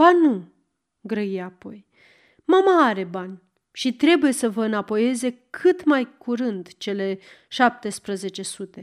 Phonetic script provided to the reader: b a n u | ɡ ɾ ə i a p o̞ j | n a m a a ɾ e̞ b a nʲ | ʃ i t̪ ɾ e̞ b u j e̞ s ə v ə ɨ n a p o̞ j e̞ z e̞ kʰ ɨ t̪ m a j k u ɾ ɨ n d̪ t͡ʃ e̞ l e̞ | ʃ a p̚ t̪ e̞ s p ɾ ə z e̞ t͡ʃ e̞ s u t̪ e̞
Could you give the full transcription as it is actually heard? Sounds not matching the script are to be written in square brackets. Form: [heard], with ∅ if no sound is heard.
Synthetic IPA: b a n u | ɡ ɾ ə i a p o̞ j | [m] a m a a ɾ e̞ b a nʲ | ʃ i t̪ ɾ e̞ b u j e̞ s ə v ə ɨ n a p o̞ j e̞ z e̞ kʰ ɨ t̪ m a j k u ɾ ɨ n d̪ t͡ʃ e̞ l e̞ | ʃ a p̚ t̪ e̞ s p ɾ ə z e̞ t͡ʃ e̞ s u t̪ e̞